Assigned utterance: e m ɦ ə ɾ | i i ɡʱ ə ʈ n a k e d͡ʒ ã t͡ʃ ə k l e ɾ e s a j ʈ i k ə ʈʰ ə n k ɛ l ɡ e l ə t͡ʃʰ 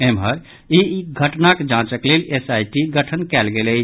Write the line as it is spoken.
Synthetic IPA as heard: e m ɦ ə ɾ | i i ɡʱ ə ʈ n a k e d͡ʒ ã t͡ʃ ə k l e l e s a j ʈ i ɡ ə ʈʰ ə n k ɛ l ɡ e l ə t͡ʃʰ

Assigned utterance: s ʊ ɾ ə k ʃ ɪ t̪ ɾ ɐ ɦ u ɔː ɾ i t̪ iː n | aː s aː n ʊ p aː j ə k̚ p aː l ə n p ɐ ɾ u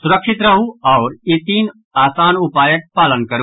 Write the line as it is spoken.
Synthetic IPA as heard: s ʊ ɾ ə k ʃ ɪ t̪ ɾ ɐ ɦ u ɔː ɾ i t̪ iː n | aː s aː n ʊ p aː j ə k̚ p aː l ə n k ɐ ɾ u

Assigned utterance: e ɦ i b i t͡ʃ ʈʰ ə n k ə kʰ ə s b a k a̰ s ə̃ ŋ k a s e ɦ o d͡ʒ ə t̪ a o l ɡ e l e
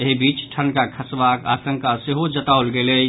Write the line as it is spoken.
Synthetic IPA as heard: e ɦ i b i t͡ʃ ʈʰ ə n k a kʰ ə s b a k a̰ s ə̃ ŋ k a s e ɦ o d͡ʒ ə t̪ a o l ɡ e l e

